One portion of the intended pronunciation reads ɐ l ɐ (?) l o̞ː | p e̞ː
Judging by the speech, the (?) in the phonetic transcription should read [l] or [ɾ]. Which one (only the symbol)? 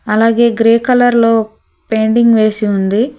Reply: ɾ